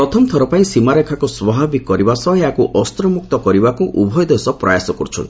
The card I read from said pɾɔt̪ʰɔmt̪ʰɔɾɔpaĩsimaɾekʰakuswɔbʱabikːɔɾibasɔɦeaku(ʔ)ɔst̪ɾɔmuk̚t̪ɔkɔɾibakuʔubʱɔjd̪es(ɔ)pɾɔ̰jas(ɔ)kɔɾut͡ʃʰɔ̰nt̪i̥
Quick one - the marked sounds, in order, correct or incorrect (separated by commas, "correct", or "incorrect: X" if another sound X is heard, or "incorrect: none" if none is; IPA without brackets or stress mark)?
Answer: correct, correct, correct